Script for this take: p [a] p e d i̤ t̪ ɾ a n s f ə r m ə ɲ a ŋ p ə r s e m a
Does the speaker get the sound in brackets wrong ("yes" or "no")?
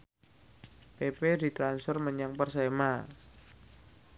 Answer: yes